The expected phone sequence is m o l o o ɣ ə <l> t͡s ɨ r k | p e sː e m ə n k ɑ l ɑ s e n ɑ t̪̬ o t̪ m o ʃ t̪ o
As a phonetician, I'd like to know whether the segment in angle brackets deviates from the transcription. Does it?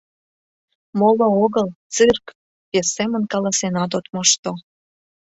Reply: no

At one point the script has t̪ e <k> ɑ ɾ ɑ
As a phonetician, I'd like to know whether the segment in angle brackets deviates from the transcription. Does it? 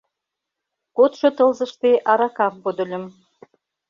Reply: yes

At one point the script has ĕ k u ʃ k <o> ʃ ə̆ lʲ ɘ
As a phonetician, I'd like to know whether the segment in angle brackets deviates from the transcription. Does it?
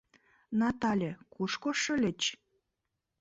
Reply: no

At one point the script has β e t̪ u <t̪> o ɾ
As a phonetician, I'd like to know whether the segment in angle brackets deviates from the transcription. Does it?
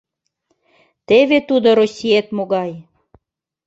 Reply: yes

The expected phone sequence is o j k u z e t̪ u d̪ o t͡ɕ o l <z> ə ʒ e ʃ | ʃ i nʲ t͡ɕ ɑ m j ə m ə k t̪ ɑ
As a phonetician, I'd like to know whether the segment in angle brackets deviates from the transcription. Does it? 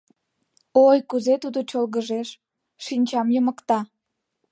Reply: yes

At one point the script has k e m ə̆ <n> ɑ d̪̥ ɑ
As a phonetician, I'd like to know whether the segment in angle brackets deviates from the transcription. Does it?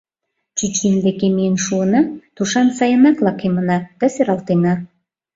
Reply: no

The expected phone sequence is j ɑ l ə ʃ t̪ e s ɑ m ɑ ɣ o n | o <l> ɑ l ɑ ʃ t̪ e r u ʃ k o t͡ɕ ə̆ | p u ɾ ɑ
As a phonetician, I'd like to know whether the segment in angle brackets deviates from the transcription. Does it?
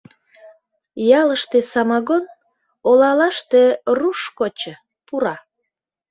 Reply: no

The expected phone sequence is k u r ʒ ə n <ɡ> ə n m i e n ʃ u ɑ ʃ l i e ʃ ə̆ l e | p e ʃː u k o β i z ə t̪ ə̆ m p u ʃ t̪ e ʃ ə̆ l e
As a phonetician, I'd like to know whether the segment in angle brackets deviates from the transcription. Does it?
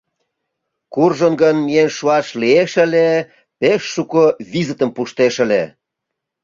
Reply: no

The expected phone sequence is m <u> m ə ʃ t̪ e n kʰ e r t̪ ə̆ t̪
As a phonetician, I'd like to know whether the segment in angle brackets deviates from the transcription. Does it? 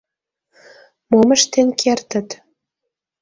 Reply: yes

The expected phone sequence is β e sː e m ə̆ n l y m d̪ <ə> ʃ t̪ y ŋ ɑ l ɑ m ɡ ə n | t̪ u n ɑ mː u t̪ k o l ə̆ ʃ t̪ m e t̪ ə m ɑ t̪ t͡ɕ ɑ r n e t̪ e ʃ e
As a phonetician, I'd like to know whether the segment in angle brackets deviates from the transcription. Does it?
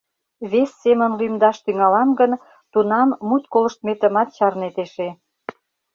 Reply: yes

